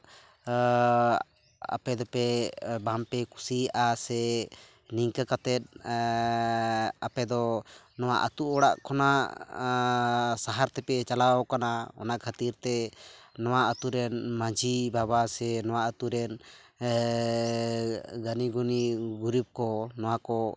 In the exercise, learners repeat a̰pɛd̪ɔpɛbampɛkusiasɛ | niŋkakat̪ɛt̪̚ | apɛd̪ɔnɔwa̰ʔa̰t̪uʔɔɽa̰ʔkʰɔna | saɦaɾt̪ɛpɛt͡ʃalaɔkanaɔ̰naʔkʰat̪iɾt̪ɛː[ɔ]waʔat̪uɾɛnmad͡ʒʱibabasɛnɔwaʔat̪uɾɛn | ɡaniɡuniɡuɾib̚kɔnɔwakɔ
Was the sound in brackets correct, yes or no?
yes